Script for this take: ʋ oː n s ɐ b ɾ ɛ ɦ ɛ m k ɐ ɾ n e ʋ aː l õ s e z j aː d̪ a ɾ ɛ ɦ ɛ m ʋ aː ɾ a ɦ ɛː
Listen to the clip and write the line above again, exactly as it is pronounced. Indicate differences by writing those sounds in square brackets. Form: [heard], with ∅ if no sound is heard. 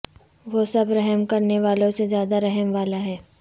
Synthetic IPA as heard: ʋ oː [∅] s ɐ b ɾ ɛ ɦ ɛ m k ɐ ɾ n e ʋ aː l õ s e z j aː d̪ a ɾ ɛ ɦ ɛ m ʋ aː [l] a ɦ ɛː